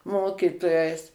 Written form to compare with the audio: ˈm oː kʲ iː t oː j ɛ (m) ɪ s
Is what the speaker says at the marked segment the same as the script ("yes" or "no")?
no